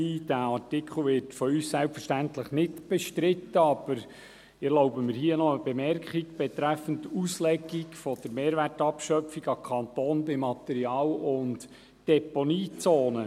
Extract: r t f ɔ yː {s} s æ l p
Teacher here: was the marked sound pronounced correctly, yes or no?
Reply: yes